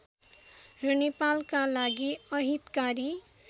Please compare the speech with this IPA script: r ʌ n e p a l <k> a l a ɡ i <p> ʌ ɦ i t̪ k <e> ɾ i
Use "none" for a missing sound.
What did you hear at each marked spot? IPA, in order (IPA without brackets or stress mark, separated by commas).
k, none, a